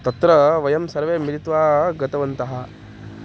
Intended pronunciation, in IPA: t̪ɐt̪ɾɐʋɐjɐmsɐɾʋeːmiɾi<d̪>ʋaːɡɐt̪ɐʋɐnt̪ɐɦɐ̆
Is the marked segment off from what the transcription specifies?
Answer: yes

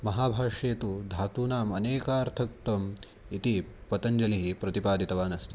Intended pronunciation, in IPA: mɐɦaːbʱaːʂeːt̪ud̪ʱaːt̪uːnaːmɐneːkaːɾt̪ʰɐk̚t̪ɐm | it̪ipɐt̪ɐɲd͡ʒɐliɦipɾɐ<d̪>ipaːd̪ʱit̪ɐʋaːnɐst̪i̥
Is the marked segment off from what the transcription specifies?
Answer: yes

